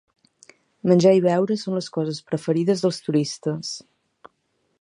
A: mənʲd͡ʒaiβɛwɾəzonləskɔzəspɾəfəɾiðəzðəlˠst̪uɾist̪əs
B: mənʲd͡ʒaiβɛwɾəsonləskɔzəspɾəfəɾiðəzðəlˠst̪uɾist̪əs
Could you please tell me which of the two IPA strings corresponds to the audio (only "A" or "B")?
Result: B